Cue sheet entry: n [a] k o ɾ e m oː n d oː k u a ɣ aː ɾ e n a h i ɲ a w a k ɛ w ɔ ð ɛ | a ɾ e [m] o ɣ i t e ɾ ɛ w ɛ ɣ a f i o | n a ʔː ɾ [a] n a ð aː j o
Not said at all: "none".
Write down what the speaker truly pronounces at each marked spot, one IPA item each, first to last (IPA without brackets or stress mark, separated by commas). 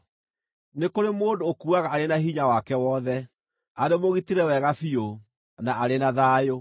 e, m, e